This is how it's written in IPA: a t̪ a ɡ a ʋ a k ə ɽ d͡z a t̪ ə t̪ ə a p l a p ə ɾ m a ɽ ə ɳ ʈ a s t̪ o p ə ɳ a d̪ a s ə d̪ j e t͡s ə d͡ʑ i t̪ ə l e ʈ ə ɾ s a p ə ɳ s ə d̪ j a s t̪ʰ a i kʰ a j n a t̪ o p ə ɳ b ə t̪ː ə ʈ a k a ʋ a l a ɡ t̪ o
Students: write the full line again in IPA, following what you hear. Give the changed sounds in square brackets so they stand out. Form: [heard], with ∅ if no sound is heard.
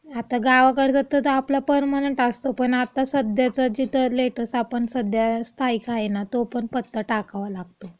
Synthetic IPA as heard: a t̪ a ɡ a ʋ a k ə ɽ d͡z a t̪ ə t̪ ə a p l a p ə ɾ m a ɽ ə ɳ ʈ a s t̪ o p ə ɳ a [t̪] a s ə d̪ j [a] t͡s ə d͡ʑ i t̪ ə l e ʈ ə ɾ s a p ə ɳ s ə d̪ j a s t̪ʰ a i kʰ a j n a t̪ o p ə ɳ [p] ə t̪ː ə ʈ a k a ʋ a l a ɡ t̪ o